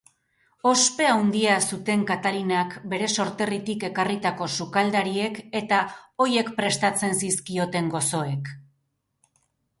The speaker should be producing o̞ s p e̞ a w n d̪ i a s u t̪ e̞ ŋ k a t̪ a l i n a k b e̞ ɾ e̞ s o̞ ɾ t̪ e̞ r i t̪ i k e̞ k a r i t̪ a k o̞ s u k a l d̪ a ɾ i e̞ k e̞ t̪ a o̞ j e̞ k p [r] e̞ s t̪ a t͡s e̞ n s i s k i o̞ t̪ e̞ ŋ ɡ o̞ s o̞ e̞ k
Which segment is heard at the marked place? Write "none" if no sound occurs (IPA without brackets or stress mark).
ɾ